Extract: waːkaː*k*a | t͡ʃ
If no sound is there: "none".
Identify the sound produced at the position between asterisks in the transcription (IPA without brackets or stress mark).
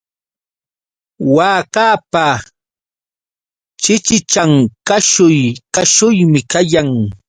p